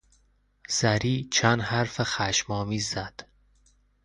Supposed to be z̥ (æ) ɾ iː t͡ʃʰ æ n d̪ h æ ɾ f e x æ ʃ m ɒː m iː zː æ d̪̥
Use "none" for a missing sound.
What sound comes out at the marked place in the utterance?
æ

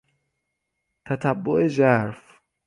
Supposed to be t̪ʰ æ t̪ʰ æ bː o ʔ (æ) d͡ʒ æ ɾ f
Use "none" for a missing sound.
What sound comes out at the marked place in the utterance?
e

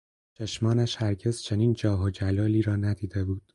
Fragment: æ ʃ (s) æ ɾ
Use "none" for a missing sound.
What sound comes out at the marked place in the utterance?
h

